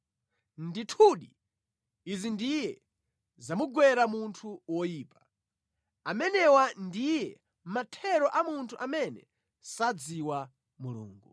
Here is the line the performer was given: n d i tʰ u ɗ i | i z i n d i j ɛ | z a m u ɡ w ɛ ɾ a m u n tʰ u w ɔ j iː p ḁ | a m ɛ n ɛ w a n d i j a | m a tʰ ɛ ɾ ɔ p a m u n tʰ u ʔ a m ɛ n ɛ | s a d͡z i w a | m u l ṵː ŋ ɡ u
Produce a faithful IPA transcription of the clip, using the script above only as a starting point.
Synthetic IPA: n d i tʰ u ɗ i | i z i n d i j ɛ | z a m u ɡ w ɛ ɾ a m u n tʰ u w ɔ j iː p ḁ | a m ɛ n ɛ w a n d i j ɛ | m a tʰ ɛ ɾ ɔ ʔ a m u n tʰ u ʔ a m ɛ n ɛ | s a d͡z i w a | m u l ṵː ŋ ɡ u